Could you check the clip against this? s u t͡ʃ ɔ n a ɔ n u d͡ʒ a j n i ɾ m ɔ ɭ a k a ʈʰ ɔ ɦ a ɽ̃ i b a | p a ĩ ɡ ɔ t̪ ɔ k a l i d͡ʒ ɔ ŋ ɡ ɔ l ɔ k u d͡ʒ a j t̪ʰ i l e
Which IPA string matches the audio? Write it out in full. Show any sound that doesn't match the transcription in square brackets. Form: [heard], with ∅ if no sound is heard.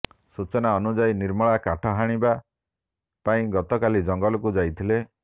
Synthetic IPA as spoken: s u t͡ʃ ɔ n a ɔ n u d͡ʒ a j n i ɾ m ɔ ɭ a k a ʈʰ ɔ ɦ a ɽ̃ i b a | p a ĩ ɡ ɔ t̪ ɔ k a l i d͡ʒ ɔ ŋ ɡ ɔ l ɔ k u d͡ʒ a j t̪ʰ i l e

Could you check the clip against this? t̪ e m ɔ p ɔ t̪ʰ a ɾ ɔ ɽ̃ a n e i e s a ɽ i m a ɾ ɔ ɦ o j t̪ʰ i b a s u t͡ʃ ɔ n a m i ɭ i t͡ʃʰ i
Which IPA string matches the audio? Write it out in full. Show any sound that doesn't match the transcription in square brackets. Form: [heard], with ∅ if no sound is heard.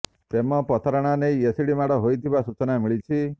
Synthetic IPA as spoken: t̪ e m ɔ p ɔ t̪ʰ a ɾ ɔ ɽ̃ a n e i e s [i] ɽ i m a [ɽ] ɔ ɦ o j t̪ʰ i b a s u t͡ʃ ɔ n a m i ɭ i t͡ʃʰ i

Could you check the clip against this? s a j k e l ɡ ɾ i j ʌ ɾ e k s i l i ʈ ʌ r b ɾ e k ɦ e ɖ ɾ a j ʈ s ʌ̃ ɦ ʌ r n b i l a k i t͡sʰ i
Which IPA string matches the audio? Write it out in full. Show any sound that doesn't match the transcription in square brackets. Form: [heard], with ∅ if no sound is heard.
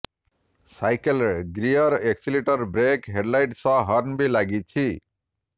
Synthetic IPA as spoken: s a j k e l ɡ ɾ i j ʌ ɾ e k s i l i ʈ ʌ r b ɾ e k ɦ e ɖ [l] a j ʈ s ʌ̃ ɦ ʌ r n b i l a [ɡ] i t͡sʰ i

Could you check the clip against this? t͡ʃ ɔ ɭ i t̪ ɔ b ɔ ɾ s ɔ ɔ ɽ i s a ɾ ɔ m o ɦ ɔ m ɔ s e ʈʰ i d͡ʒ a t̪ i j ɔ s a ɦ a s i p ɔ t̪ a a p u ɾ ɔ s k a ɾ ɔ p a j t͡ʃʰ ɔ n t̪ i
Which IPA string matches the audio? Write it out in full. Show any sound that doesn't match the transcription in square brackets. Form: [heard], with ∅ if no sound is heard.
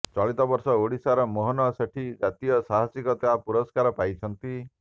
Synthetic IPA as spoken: t͡ʃ ɔ ɭ i t̪ ɔ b ɔ ɾ s ɔ [o] ɽ i s a ɾ ɔ m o ɦ ɔ [n] ɔ s e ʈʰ i d͡ʒ a t̪ i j ɔ s a ɦ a s i [k] ɔ t̪ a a p u ɾ ɔ s k a ɾ ɔ p a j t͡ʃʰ ɔ n t̪ i

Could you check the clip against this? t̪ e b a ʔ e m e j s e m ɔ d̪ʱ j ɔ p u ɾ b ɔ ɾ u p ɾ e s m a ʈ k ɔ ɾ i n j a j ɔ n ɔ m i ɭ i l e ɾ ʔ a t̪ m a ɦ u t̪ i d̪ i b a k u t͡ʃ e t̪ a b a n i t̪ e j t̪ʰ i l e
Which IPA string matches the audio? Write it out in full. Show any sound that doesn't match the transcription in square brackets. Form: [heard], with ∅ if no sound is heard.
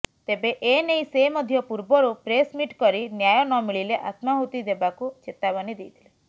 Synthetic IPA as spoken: t̪ e b [e] ʔ e [n] e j s e m ɔ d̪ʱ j ɔ p u ɾ b ɔ ɾ u p ɾ e s m [i] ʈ k ɔ ɾ i n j a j ɔ n ɔ m i ɭ i l e [∅] ʔ a t̪ m a ɦ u t̪ i d̪ [e] b a k u t͡ʃ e t̪ a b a n i [d̪] e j t̪ʰ i l e

